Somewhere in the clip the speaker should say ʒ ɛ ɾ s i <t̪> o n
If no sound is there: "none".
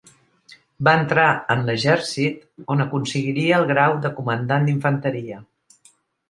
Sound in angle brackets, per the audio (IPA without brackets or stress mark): t̪